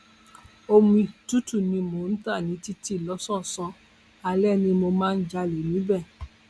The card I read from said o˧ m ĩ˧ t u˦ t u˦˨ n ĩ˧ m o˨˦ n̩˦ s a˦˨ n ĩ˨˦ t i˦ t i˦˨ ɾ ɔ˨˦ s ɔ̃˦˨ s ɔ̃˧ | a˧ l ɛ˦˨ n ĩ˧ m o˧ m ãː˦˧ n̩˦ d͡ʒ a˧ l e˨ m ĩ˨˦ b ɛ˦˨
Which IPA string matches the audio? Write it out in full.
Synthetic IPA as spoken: o˧ m ĩ˧ t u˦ t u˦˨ n ĩ˧ m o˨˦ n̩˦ t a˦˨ n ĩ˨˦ t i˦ t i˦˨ l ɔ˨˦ s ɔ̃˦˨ s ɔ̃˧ | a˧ l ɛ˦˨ n ĩ˧ m o˧ m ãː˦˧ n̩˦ d͡ʒ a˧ l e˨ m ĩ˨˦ b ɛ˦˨